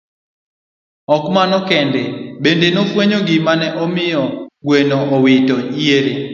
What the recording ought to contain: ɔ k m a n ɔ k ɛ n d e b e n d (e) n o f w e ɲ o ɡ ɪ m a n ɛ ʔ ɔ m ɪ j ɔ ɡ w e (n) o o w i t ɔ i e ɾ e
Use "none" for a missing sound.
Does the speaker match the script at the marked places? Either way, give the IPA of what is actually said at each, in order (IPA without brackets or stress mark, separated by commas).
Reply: e, n